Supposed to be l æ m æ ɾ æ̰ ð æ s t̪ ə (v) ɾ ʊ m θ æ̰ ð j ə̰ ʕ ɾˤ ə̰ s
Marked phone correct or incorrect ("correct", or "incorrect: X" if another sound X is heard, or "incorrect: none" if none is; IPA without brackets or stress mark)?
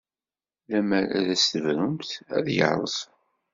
correct